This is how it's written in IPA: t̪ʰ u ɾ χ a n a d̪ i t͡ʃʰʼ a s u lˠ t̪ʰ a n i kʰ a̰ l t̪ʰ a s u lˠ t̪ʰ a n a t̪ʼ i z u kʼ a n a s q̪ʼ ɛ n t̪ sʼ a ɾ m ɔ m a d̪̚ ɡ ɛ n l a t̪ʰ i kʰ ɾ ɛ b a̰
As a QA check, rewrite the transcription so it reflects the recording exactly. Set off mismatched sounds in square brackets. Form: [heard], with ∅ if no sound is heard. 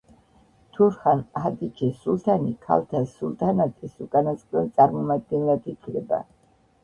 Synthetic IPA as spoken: t̪ʰ u ɾ χ a n a d̪ i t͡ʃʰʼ [i] s u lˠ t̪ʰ a n i kʰ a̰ l t̪ʰ a s u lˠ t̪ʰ a n a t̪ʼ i [s] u kʼ a n a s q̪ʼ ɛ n t̪ sʼ a ɾ m ɔ m a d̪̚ ɡ ɛ n l a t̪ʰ i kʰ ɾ ɛ b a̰